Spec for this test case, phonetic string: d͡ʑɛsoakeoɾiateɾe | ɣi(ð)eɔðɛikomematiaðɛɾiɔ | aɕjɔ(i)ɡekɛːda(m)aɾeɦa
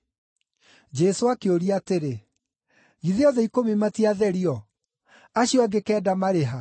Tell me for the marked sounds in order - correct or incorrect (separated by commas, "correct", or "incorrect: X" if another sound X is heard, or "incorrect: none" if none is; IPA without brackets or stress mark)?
correct, incorrect: a, correct